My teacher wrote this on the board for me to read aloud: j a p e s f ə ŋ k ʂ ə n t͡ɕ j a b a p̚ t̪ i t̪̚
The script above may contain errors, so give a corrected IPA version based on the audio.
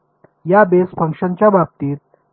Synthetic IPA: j a b e s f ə ŋ k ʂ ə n t͡ɕ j a b a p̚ t̪ i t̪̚